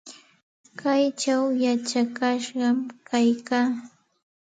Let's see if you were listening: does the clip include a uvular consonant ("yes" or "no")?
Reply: yes